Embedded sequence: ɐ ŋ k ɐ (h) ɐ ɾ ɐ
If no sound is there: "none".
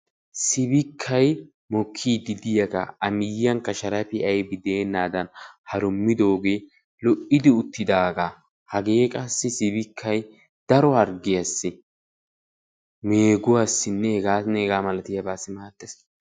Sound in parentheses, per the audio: ʃ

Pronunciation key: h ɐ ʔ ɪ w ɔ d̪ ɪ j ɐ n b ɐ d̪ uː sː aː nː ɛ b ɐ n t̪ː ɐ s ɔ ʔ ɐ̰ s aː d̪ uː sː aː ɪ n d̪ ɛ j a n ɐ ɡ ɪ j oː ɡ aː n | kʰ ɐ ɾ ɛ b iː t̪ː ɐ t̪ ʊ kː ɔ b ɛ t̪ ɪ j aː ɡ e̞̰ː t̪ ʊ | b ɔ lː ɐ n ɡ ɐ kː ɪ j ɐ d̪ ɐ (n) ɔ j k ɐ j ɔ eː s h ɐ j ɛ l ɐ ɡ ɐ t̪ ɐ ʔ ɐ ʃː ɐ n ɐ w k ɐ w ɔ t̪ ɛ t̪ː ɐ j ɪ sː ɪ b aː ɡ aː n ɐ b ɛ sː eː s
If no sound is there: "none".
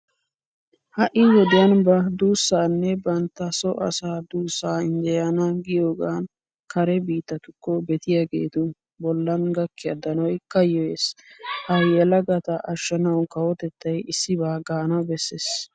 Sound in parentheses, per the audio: n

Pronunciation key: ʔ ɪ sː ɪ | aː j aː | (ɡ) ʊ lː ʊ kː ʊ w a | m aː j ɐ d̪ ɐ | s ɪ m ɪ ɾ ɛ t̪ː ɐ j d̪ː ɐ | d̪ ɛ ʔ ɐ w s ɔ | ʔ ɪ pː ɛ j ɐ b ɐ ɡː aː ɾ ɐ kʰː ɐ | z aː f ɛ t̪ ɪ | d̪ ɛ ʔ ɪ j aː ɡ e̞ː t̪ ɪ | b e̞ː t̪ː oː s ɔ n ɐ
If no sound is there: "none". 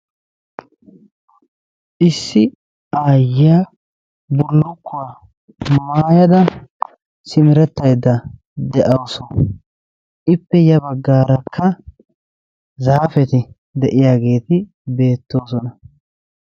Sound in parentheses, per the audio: b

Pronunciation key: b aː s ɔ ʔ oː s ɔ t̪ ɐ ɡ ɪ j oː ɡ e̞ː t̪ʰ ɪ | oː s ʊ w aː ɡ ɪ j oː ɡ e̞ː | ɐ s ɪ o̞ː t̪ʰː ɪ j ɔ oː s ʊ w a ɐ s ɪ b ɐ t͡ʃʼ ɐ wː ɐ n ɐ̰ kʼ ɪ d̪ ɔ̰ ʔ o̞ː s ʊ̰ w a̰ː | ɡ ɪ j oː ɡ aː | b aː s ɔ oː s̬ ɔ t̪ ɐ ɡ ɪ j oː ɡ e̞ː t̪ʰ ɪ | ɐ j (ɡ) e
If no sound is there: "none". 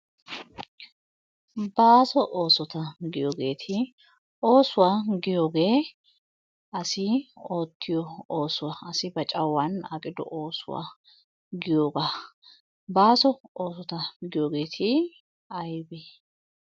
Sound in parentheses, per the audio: b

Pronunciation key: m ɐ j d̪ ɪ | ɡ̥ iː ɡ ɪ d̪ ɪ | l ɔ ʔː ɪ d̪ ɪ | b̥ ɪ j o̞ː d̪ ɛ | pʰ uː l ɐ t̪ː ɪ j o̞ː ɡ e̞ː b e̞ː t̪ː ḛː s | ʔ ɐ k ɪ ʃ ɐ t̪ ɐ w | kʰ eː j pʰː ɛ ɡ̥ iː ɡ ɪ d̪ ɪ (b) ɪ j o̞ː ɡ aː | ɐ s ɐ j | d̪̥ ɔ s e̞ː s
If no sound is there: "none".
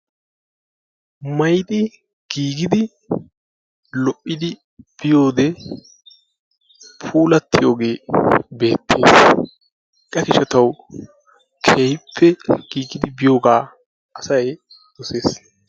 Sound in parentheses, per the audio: b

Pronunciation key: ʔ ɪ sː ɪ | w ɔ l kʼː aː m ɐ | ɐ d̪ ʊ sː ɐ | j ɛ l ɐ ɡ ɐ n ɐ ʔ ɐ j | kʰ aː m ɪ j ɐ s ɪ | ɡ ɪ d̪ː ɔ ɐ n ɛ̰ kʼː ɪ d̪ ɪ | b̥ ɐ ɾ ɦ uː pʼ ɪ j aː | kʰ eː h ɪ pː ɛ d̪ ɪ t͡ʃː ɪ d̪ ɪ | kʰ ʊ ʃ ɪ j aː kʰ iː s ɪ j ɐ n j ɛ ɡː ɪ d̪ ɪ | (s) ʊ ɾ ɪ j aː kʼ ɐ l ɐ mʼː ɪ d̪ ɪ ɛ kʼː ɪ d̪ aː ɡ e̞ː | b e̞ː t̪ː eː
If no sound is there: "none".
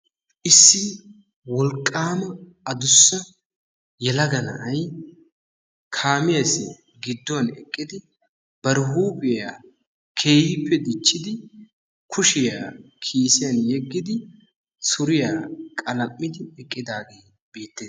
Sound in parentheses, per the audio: s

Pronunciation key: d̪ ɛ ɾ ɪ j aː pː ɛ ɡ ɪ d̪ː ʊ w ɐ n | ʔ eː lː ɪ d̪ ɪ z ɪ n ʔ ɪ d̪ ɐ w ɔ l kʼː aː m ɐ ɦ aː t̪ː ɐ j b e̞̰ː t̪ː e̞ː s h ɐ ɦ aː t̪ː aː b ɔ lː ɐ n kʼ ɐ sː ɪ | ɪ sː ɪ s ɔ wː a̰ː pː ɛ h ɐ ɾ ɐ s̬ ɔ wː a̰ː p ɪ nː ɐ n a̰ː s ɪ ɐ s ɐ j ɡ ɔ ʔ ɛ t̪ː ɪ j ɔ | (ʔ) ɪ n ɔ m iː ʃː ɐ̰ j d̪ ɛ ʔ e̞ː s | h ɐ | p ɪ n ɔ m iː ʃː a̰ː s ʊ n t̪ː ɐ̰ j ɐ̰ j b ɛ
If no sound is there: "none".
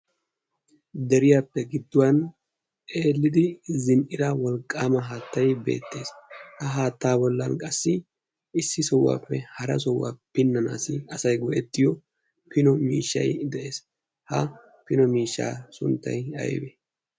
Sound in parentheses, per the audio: p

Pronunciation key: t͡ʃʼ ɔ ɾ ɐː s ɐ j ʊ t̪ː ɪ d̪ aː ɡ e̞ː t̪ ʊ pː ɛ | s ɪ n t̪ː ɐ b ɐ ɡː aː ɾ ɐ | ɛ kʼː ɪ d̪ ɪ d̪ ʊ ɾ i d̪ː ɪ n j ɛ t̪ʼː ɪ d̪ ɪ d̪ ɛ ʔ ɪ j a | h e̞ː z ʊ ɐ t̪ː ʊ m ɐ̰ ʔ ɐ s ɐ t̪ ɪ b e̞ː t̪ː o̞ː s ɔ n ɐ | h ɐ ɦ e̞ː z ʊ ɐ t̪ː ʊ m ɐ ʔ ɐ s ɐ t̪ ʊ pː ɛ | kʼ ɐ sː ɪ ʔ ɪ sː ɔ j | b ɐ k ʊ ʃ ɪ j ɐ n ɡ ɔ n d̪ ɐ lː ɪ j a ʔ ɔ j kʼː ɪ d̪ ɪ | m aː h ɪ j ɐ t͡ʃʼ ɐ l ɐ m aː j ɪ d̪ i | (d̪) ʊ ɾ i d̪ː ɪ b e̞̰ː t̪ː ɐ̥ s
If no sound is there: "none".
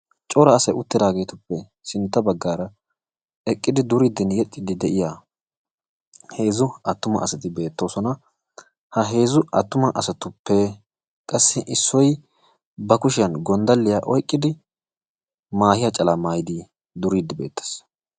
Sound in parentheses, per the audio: d̪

